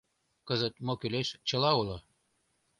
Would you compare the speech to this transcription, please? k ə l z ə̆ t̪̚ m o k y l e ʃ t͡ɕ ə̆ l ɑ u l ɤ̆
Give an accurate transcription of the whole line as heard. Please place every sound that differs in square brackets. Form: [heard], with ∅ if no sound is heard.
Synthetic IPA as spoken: k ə [∅] z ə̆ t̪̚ m o k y l e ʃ t͡ɕ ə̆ l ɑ u l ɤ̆